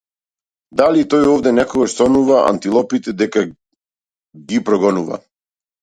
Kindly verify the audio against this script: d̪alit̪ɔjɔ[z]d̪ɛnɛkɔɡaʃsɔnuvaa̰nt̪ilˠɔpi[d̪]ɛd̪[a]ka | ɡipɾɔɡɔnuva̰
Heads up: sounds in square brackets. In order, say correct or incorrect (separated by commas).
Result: incorrect, incorrect, incorrect